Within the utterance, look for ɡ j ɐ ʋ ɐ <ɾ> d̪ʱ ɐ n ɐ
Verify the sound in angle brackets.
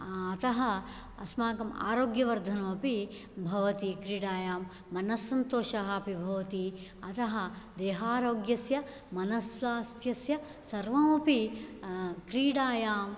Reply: correct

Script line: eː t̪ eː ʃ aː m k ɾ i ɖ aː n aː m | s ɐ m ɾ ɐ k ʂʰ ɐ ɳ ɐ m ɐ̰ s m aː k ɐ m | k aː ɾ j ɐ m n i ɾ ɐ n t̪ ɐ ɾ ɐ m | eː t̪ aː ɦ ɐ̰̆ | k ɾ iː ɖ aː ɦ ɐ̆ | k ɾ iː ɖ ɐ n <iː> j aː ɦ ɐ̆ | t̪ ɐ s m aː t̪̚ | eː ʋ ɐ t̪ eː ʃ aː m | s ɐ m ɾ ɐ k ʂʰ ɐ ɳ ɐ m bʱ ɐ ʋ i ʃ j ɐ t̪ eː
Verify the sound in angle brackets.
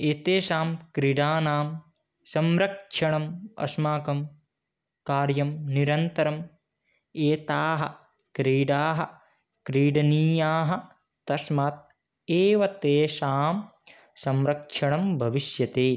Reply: correct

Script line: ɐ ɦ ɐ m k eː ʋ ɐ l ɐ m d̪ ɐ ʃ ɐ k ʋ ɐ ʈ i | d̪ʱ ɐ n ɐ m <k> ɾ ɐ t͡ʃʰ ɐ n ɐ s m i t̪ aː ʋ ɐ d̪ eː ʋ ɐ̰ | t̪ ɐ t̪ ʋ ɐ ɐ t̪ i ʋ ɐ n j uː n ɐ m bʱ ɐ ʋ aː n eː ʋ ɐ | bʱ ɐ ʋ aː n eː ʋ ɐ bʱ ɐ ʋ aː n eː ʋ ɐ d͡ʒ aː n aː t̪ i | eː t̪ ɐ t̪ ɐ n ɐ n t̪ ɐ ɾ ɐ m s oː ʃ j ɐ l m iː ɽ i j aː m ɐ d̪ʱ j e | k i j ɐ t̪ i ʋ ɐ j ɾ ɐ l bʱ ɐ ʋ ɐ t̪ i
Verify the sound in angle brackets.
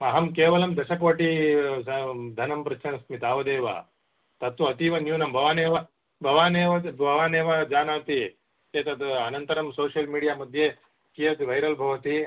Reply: incorrect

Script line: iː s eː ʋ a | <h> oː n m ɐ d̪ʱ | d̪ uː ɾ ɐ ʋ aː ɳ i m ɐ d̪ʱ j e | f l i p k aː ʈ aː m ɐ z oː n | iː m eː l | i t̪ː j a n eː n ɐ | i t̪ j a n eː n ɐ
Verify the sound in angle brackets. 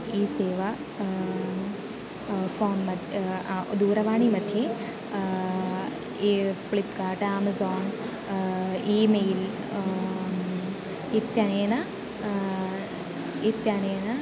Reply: incorrect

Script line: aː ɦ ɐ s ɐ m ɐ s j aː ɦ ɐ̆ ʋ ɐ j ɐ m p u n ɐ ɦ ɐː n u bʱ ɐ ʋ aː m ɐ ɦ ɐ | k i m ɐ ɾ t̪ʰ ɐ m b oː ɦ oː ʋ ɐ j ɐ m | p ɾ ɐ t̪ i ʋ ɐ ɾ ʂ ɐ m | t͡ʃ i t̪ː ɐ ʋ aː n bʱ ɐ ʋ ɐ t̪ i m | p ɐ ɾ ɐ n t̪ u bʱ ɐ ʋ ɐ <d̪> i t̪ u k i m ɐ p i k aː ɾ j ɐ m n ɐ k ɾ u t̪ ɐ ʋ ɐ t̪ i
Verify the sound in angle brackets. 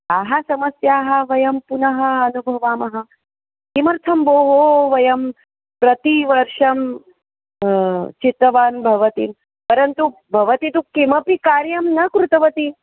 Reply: incorrect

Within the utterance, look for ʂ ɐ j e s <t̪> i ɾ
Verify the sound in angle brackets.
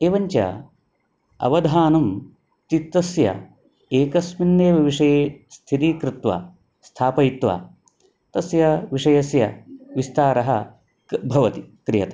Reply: incorrect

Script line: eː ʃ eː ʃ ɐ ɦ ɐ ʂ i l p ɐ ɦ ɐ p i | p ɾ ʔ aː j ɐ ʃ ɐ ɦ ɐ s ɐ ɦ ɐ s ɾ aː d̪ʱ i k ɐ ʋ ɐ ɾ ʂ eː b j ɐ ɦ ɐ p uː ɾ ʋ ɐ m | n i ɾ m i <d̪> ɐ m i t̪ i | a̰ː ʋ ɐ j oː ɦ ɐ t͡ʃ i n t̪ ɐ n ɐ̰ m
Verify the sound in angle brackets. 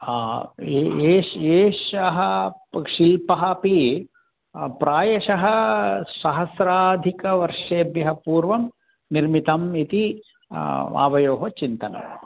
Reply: incorrect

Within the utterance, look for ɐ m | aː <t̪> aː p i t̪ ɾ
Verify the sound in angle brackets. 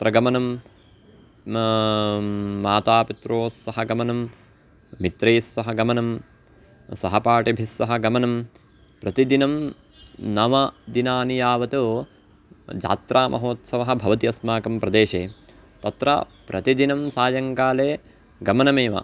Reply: correct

